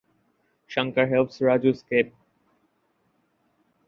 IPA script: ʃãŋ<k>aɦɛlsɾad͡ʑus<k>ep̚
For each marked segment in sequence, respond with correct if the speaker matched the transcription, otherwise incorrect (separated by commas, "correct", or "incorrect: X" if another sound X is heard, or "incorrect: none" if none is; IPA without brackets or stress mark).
correct, correct